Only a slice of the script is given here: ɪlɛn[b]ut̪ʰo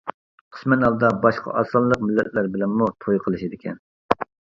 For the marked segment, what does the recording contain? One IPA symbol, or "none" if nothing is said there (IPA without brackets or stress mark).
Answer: m